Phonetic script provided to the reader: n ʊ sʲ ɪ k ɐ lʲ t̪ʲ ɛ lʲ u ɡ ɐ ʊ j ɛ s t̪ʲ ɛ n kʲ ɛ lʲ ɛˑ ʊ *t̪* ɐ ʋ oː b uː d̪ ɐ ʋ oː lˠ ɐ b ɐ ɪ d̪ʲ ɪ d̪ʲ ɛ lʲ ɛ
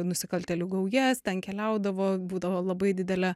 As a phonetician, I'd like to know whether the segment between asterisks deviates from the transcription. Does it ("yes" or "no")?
yes